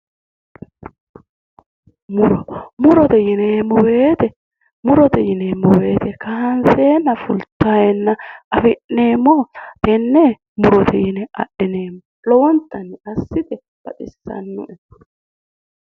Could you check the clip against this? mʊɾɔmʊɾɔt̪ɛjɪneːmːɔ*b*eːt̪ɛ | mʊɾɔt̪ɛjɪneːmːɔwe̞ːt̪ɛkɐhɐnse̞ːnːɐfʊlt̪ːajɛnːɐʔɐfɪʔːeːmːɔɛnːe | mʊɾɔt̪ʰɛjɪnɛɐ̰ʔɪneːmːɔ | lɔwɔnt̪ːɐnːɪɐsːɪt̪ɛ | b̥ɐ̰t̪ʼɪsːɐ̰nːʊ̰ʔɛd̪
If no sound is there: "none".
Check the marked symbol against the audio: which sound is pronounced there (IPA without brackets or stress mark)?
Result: w